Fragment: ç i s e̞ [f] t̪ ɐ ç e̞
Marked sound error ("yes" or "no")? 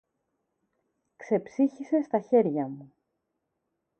yes